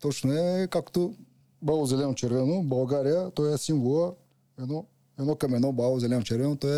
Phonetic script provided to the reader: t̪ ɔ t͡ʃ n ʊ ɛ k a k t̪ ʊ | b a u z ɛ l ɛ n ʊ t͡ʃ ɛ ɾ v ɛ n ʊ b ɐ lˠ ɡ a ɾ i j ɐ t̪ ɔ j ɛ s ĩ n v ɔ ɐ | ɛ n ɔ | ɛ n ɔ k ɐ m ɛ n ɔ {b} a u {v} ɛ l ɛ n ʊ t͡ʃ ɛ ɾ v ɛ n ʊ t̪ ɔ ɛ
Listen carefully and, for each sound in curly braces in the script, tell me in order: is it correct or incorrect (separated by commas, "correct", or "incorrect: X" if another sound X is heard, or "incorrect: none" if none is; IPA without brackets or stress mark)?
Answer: correct, incorrect: z